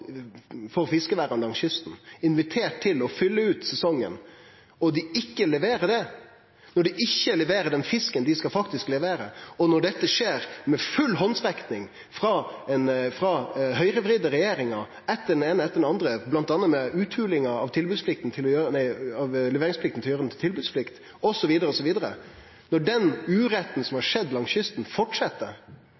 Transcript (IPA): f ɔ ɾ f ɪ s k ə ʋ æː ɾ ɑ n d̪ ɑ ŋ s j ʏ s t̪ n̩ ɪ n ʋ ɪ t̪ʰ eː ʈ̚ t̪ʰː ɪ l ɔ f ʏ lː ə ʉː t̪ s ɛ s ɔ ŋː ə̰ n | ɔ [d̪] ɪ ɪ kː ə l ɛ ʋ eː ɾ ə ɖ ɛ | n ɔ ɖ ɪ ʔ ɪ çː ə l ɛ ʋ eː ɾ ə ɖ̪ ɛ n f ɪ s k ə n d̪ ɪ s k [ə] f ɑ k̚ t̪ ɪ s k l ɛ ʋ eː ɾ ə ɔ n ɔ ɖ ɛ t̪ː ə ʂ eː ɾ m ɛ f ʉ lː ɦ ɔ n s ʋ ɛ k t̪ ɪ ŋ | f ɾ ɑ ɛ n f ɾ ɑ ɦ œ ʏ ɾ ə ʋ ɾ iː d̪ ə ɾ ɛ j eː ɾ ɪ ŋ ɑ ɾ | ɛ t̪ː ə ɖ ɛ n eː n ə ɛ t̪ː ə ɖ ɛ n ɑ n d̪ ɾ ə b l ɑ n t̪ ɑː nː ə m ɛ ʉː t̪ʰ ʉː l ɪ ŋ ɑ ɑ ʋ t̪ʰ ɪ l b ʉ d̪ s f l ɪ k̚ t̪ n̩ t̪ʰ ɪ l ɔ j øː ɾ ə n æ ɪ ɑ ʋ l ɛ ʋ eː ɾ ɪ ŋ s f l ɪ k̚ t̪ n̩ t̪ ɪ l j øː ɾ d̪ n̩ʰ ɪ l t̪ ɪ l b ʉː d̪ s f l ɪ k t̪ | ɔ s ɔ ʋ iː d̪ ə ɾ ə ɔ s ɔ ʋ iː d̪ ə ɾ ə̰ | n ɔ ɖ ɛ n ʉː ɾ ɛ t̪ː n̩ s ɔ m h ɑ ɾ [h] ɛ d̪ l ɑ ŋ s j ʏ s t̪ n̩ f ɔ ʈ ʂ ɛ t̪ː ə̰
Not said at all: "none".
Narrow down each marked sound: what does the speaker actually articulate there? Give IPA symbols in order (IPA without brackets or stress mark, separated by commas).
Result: d̪, ɑ, ʂ